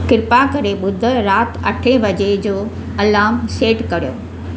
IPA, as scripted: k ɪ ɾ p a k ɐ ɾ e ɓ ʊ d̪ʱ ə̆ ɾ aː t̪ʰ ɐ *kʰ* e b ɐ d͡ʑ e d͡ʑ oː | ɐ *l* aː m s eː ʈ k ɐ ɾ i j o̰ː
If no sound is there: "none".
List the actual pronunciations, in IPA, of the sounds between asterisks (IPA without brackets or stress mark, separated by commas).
ʈʰ, l